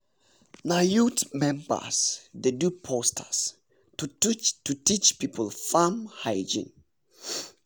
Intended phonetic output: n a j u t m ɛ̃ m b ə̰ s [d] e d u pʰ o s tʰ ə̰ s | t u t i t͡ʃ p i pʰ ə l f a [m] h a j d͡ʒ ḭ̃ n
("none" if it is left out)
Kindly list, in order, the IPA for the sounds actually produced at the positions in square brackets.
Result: d, m

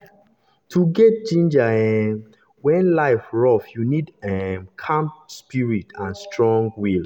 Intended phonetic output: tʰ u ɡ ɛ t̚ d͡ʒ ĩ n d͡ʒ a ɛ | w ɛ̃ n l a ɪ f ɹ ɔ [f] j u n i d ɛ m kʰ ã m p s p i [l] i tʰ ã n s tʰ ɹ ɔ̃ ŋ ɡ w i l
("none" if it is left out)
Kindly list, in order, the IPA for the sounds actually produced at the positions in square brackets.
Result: f, ɹ

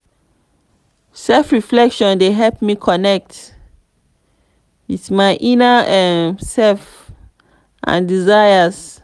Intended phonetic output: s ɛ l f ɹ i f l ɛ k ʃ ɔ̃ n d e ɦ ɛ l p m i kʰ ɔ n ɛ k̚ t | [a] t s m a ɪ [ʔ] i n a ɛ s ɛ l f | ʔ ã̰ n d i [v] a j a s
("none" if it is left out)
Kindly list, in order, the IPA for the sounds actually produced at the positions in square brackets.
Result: i, ʔ, z

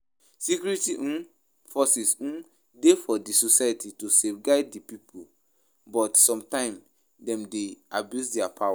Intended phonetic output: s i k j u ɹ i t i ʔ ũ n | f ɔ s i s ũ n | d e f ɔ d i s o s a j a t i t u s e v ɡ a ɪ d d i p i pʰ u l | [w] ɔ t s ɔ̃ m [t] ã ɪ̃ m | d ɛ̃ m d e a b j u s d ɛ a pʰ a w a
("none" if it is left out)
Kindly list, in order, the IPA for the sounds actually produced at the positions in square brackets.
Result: b, t

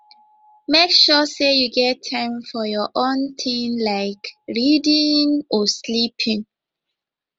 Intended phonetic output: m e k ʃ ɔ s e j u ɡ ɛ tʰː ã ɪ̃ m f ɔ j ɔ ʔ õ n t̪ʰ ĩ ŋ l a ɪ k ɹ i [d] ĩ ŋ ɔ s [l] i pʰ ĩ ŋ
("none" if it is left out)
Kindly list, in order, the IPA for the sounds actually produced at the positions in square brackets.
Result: d, l

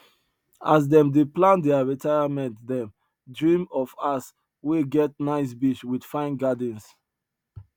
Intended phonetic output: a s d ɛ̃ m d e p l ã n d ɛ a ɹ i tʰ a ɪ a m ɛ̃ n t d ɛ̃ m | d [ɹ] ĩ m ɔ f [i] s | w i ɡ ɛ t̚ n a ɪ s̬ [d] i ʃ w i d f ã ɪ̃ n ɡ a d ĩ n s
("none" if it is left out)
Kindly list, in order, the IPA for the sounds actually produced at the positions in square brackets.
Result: ɹ, a, b

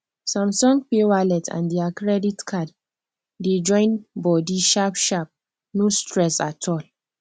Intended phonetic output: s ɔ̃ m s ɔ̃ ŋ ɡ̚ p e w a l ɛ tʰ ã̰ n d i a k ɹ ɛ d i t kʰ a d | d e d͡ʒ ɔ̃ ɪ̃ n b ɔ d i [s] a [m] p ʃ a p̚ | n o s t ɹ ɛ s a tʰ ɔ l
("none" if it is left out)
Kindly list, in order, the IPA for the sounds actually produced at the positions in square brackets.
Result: ʃ, none

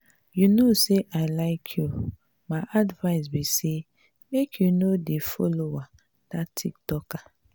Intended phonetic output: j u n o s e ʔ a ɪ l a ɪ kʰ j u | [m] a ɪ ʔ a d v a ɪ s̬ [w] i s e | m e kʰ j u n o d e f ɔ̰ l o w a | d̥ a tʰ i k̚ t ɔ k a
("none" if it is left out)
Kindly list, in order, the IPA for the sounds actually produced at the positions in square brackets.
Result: m, b

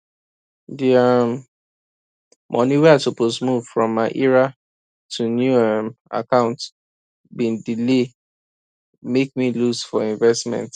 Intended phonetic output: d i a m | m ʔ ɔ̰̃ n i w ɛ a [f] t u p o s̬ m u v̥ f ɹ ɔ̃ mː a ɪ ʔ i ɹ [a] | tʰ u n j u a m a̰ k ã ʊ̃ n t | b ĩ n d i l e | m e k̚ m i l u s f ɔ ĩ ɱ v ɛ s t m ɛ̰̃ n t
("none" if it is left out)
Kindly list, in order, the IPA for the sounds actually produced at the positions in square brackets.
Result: none, a

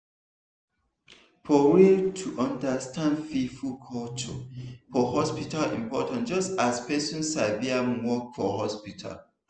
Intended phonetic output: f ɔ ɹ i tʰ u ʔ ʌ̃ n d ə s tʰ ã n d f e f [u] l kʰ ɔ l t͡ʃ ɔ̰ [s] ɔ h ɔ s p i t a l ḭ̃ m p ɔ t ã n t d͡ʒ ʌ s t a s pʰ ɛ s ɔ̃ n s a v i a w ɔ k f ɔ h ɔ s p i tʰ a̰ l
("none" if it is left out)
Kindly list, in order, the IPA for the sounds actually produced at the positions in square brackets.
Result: u, f

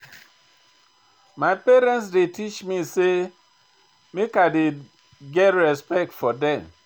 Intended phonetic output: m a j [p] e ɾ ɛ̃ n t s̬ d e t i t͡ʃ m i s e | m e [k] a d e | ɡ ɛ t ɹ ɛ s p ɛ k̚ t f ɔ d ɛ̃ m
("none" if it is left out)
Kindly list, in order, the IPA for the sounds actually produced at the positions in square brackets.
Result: p, k

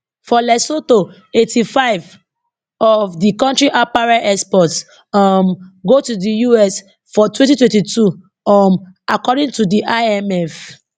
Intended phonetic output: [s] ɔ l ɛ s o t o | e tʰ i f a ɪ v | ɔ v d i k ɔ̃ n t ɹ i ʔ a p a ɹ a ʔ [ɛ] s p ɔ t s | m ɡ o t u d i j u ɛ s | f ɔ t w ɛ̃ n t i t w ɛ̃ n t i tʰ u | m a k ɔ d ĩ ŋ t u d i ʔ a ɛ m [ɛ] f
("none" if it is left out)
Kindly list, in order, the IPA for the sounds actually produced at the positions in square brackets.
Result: f, ɛ, ɛ

